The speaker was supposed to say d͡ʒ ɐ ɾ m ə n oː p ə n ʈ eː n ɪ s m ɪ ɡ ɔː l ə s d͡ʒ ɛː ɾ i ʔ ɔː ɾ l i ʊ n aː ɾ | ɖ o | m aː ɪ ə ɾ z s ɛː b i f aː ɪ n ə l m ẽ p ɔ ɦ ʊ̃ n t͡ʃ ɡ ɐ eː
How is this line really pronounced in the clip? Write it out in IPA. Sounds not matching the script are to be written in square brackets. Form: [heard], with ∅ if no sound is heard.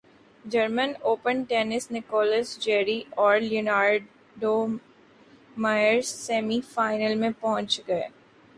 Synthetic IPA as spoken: d͡ʒ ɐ ɾ m ə n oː p ə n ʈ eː n ɪ s [n] ɪ [k] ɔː l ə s d͡ʒ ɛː ɾ i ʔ ɔː ɾ l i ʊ n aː ɾ | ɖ o | m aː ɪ ə ɾ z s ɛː [m] i f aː ɪ n ə l m ẽ p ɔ ɦ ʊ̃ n t͡ʃ ɡ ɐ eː